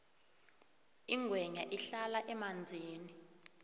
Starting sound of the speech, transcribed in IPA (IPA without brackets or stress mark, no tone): i